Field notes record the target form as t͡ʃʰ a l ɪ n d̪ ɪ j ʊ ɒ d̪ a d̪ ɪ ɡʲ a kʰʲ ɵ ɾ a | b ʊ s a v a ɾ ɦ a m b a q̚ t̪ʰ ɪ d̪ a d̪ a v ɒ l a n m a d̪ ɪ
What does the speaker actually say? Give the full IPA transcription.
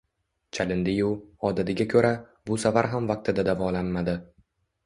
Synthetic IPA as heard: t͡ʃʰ a l ɪ n d̪ ɪ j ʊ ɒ d̪ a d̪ ɪ ɡʲ a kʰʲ ɵ ɾ a | b ʊ s a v a ɾ ɦ a m v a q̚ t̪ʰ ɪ d̪ a d̪ a v ɒ l a n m a d̪ ɪ

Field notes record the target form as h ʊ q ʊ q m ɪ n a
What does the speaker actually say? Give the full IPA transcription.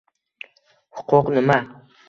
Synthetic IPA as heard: h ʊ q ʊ q n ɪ m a

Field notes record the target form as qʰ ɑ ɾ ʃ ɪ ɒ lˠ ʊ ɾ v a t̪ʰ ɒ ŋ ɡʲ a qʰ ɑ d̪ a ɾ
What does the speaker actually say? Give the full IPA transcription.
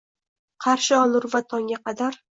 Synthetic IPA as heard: qʰ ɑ ɾ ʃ ɪ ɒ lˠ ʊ ɾ v a t̪ʰ ɒ ŋ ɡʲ a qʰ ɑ d̪ a ɾ

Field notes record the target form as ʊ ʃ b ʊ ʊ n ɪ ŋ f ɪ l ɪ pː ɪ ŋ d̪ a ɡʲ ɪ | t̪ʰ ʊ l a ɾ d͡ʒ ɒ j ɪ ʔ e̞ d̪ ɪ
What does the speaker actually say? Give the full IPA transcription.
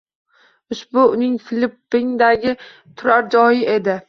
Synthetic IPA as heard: ʊ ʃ b ʊ ʊ n ɪ ŋ f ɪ l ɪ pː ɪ ŋ d̪ a ɡʲ ɪ | t̪ʰ ʊ ɾ a ɾ d͡ʒ ɒ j ɪ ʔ e̞ d̪ ɪ

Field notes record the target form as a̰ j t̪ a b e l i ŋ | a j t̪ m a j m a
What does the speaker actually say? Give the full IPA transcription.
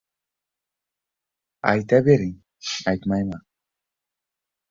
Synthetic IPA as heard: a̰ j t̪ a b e ɾ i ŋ | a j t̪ m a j m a

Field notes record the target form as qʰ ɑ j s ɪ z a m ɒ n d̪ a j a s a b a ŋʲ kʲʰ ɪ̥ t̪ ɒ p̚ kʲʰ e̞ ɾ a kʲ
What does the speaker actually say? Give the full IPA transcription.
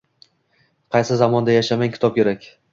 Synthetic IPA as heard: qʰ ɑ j s ɪ z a m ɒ n d̪ a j a ʃ a m a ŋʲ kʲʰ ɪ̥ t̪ ɒ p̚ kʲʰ e̞ ɾ a kʲ

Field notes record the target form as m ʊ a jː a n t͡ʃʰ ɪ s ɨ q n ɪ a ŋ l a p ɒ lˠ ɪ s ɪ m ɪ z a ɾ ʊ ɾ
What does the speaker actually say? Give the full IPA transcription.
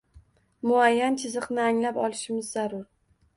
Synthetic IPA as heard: m ʊ a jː a n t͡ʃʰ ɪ z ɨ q n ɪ a ŋ l a p ɒ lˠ ɪ ʃ ɪ m ɪ zː a ɾ ʊ ɾ

